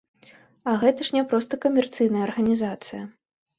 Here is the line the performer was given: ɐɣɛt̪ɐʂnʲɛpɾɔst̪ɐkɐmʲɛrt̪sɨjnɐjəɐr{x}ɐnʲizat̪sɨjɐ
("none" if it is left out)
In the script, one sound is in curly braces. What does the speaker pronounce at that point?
ɣ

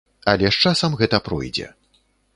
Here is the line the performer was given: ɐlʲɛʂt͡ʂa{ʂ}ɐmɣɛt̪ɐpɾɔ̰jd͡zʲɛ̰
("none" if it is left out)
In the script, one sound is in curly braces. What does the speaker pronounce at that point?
s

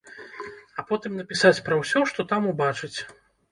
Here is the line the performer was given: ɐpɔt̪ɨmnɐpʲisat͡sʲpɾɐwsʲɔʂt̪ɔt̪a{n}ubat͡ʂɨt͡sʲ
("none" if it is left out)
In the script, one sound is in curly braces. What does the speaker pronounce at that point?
m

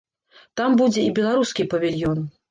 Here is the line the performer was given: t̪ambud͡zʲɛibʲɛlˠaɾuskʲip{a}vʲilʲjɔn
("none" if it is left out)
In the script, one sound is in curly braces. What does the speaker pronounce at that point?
ɐ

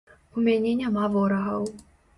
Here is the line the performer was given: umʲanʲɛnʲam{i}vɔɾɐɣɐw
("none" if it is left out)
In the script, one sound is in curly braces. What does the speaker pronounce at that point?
a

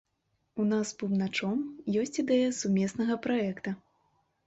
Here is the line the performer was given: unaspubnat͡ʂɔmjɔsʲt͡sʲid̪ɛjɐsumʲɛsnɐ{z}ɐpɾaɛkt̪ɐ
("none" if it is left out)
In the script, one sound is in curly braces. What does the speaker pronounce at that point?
ɣ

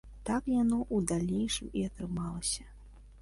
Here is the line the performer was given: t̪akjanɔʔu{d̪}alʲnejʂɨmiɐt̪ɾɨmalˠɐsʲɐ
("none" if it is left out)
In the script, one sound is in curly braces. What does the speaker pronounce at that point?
d̪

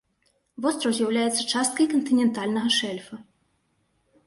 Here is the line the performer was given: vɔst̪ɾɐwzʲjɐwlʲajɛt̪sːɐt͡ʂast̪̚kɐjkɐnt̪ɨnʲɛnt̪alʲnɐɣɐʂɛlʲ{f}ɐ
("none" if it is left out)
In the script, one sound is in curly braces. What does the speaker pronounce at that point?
f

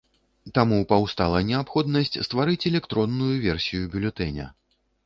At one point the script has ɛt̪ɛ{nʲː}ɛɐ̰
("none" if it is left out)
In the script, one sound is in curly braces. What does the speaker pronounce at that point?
nʲ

